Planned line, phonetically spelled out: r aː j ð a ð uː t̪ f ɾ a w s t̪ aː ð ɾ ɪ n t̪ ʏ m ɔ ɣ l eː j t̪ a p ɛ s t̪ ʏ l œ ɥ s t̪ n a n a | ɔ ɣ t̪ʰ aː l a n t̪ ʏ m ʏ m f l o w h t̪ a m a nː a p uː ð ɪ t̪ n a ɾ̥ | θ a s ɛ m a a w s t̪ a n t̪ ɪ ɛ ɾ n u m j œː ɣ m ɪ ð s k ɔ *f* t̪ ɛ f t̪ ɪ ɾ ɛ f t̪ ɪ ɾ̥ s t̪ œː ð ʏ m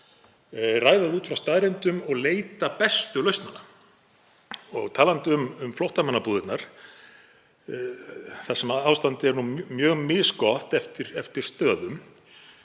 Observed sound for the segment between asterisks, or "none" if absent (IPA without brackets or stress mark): h